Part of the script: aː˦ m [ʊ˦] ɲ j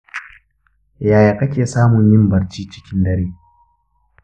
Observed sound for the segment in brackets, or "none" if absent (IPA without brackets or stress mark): ʊ˨